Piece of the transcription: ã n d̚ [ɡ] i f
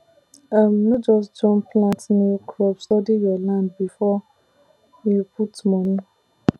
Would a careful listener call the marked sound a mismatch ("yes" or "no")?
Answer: yes